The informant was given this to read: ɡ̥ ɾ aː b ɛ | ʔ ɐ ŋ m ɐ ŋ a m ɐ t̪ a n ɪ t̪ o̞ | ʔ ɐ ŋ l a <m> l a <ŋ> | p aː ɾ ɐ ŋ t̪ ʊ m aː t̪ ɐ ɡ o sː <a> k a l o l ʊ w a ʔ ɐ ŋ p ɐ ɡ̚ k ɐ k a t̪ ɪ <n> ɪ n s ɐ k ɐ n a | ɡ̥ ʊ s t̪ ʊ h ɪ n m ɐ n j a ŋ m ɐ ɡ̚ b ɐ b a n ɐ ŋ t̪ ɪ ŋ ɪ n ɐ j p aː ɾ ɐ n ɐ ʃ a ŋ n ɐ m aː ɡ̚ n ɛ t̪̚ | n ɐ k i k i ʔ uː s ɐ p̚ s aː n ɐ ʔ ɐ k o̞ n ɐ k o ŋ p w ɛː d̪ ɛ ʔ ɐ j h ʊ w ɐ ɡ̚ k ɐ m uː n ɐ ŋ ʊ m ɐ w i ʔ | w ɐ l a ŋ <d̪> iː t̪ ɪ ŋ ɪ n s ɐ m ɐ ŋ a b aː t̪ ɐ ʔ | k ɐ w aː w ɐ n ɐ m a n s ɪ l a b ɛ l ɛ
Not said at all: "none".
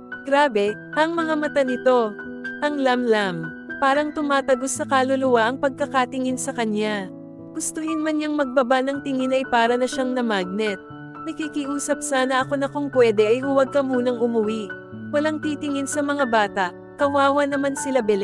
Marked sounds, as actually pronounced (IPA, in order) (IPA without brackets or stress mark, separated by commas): m, m, ɐ, ŋ, t̪